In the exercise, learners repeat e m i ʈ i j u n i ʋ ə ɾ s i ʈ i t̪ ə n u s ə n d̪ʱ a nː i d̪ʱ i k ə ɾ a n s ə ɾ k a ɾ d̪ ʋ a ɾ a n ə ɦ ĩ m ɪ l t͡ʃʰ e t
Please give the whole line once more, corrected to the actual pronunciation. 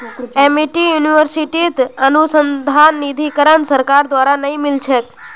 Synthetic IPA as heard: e m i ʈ i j u n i ʋ ə ɾ s i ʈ i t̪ ə n u s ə n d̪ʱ a nː i d̪ʱ i k ə ɾ ə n s ə ɾ k a ɾ d̪ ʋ a ɾ a n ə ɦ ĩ m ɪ l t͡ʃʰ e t